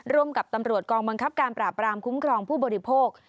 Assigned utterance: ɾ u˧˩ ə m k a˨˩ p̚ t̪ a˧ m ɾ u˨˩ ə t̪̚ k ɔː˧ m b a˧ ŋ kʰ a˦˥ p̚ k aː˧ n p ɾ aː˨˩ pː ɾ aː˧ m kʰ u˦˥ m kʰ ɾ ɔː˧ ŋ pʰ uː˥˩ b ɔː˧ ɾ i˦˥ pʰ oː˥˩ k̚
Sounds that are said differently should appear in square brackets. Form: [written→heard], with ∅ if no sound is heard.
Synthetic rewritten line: ɾ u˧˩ ə m k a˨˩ p̚ t̪ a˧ m ɾ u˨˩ ə t̪̚ k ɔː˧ [m→ŋ] b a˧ ŋ kʰ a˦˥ p̚ k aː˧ n p ɾ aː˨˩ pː ɾ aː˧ m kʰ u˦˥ m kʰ ɾ ɔː˧ ŋ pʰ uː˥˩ b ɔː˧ ɾ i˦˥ pʰ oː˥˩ k̚